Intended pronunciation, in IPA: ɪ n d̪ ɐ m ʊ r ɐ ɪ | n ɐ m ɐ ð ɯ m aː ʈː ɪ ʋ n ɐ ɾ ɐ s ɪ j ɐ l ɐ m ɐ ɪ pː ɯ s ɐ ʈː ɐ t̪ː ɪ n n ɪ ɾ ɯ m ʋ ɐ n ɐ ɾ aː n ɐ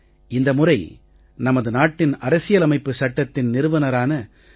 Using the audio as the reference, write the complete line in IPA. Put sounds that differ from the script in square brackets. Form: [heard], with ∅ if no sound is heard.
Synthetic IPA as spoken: ɪ n d̪ ɐ m ʊ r ɐ ɪ | n ɐ m ɐ ð ɯ [n] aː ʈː ɪ [∅] n ɐ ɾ ɐ s ɪ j ɐ l ɐ m ɐ ɪ pː ɯ s ɐ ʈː ɐ t̪ː ɪ n n ɪ ɾ ɯ [∅] ʋ ɐ n ɐ ɾ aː n ɐ

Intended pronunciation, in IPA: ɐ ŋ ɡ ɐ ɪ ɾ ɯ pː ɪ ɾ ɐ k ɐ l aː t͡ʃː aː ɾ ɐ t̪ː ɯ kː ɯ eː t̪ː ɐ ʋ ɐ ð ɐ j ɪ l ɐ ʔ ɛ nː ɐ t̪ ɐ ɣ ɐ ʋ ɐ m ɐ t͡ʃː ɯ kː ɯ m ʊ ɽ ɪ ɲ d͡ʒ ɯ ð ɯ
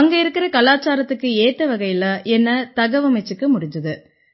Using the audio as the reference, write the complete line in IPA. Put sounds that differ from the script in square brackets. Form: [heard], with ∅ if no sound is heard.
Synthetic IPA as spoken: ɐ ŋ ɡ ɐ ɪ ɾ ɯ [kː] ɪ ɾ ɐ k ɐ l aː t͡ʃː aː ɾ ɐ t̪ː ɯ kː ɯ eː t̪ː ɐ ʋ ɐ [ɣ] ɐ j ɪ l ɐ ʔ ɛ nː ɐ t̪ ɐ ɣ ɐ ʋ ɐ m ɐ t͡ʃː ɯ kː ɯ m ʊ ɽ ɪ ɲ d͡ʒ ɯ ð ɯ

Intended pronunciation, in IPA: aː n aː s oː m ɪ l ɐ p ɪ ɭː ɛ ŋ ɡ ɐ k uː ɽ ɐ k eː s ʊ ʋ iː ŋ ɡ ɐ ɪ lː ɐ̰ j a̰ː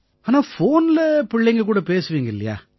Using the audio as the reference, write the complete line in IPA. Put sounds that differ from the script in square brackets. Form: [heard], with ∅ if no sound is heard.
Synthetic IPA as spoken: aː n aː [f] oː [n] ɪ l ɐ p ɪ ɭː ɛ ŋ ɡ ɐ k uː ɽ ɐ [p] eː s [ɯ] ʋ iː ŋ ɡ ɐ ɪ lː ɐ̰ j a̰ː

